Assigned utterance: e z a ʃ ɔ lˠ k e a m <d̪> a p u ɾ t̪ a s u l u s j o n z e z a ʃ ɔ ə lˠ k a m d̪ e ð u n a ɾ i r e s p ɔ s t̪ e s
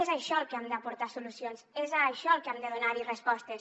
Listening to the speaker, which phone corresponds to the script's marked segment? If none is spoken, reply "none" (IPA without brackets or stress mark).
d̪